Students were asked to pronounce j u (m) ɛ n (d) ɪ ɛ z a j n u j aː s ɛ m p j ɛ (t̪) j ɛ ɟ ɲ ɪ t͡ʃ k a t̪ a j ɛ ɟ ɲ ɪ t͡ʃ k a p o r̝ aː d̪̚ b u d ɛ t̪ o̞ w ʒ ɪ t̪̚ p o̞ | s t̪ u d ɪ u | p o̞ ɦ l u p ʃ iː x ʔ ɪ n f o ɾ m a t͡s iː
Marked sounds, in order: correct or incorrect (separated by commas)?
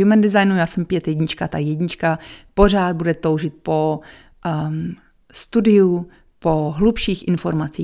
correct, correct, correct